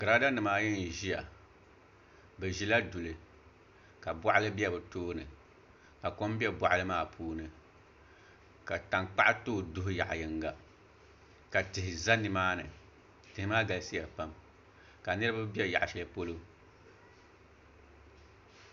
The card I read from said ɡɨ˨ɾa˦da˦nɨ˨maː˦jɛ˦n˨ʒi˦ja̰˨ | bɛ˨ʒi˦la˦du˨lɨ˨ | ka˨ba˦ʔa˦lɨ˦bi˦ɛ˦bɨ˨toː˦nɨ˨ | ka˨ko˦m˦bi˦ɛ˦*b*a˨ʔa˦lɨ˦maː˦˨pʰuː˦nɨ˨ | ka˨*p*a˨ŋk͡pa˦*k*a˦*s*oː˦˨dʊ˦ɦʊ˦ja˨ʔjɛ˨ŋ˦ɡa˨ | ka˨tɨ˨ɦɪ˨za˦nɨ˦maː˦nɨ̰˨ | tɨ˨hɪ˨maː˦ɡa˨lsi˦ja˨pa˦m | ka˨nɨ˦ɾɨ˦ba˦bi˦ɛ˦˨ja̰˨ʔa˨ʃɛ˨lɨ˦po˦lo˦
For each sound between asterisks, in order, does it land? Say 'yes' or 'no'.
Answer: yes, no, no, no

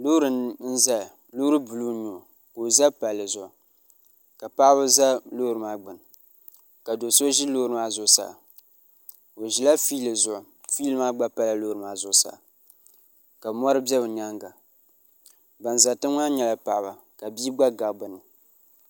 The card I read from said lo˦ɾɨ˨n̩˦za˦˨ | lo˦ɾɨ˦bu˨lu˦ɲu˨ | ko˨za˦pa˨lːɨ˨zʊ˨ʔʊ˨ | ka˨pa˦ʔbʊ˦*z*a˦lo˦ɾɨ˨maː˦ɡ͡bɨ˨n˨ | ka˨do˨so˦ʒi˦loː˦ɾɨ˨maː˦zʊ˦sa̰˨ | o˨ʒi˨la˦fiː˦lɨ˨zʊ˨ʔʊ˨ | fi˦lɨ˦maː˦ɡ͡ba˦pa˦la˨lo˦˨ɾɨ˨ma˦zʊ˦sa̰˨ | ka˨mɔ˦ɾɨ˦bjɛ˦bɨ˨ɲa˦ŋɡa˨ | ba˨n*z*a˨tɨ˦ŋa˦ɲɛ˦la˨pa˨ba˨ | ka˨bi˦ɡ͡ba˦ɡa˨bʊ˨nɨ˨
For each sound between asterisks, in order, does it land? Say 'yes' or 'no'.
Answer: yes, yes

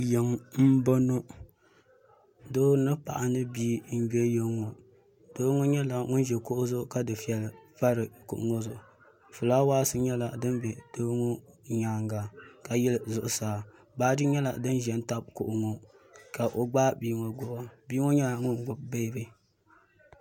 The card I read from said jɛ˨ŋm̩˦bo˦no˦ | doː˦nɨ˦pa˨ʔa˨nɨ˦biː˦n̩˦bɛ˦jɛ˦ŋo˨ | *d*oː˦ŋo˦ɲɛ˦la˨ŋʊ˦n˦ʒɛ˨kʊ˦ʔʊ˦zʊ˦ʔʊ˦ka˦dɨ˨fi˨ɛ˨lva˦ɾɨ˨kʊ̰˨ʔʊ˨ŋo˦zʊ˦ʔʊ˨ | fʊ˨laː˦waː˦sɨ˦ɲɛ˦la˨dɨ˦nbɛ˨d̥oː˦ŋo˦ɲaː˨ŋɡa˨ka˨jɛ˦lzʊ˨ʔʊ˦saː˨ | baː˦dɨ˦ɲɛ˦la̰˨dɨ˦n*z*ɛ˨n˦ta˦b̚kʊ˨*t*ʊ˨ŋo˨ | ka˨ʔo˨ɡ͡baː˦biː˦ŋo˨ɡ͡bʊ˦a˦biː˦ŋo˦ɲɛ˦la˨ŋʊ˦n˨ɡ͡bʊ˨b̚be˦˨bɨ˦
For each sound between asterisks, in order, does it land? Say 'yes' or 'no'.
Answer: yes, no, no

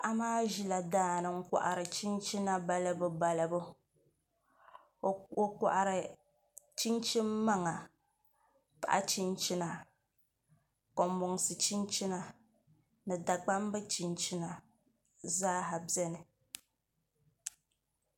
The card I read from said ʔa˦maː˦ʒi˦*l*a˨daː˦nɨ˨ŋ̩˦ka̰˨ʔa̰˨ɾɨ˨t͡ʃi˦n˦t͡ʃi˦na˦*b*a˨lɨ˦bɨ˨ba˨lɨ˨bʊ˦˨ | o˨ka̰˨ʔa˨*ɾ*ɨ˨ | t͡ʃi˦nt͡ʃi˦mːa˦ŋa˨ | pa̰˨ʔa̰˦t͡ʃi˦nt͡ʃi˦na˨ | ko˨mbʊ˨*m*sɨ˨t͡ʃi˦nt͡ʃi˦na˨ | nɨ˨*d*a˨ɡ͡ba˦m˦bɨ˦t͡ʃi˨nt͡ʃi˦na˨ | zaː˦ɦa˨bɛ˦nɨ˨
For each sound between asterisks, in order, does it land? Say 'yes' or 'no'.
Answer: yes, yes, yes, no, yes

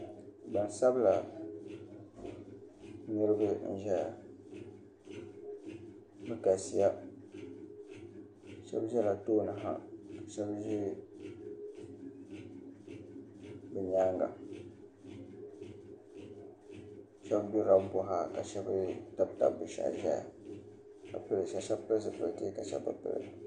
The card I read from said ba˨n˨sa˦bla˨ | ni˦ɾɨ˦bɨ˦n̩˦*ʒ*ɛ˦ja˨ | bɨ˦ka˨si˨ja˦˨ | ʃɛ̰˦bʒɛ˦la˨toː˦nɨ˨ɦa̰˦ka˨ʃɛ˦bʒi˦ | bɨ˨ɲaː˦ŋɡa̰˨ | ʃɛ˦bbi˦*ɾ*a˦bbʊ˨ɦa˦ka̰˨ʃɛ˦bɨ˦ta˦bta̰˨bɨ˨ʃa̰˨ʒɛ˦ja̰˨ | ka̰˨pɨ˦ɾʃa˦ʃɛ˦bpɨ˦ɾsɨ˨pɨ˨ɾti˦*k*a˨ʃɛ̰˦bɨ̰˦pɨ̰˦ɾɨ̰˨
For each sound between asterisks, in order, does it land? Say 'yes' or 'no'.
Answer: yes, yes, yes

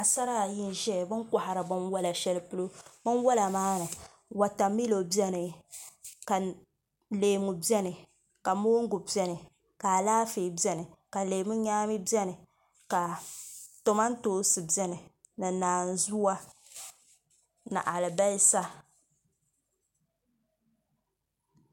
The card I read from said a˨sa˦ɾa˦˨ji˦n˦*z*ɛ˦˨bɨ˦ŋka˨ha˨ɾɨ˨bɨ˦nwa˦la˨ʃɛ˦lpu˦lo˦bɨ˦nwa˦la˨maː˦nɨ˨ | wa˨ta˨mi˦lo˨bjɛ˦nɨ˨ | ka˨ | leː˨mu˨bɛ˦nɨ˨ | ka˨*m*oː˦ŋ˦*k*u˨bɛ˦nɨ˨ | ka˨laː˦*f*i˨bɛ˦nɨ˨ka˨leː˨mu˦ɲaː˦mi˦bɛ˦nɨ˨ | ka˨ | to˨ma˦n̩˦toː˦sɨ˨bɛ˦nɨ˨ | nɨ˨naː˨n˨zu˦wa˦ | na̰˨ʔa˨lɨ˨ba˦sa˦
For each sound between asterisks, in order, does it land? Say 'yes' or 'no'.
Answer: no, yes, no, yes

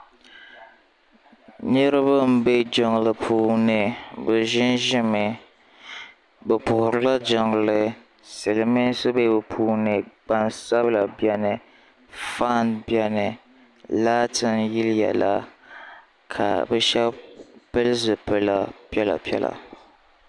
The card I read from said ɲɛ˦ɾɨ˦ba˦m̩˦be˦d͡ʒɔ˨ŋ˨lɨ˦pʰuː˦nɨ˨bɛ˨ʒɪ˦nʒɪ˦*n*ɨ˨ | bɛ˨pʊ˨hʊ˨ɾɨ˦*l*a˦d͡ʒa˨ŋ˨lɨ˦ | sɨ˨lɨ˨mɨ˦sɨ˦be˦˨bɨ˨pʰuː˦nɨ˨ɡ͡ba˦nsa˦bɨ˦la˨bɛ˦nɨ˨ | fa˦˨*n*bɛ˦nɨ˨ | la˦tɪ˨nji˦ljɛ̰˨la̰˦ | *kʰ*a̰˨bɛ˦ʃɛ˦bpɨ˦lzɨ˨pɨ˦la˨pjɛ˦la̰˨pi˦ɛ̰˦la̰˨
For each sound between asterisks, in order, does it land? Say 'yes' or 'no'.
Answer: no, yes, yes, yes

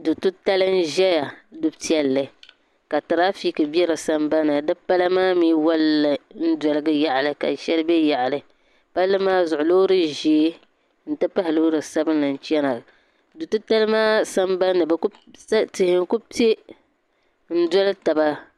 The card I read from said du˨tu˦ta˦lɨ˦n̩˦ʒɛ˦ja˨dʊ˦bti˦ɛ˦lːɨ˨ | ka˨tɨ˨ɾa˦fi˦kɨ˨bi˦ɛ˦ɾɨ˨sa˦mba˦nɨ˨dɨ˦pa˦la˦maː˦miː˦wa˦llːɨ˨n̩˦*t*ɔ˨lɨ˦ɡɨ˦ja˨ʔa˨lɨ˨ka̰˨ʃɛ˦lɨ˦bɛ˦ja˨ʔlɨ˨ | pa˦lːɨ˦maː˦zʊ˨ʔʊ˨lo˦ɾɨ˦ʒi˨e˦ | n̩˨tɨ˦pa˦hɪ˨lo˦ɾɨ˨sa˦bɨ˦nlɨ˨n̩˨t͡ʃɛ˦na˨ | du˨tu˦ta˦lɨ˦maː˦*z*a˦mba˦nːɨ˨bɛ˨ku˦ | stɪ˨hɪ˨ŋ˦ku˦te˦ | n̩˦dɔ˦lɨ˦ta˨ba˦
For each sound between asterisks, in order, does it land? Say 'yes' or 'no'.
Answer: no, no

